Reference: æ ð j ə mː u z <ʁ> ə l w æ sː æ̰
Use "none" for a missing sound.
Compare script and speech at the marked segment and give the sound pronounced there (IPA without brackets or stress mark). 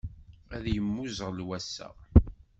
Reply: ʁ